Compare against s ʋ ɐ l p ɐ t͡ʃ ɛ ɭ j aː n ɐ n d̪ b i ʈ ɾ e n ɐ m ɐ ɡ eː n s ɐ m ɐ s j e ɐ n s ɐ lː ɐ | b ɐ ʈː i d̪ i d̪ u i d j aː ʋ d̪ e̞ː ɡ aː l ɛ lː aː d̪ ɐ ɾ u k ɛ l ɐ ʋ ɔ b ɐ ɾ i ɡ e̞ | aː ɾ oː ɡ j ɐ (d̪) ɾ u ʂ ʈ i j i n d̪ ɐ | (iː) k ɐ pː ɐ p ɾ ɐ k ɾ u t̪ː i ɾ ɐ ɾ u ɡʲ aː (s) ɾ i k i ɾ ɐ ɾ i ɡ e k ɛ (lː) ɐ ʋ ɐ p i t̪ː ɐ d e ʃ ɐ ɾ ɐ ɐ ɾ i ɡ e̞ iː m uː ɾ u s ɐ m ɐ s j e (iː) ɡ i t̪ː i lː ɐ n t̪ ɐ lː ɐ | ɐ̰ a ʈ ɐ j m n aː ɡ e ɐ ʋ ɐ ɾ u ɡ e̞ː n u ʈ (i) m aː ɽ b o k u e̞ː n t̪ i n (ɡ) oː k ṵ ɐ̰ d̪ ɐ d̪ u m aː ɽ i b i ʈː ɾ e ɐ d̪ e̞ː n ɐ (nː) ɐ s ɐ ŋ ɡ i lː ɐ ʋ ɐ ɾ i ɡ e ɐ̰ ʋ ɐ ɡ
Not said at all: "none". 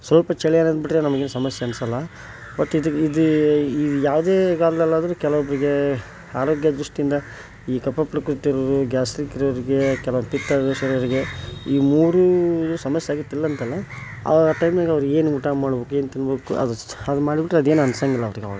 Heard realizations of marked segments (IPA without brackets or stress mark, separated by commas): d̪, iː, s, l, aː, a, b, n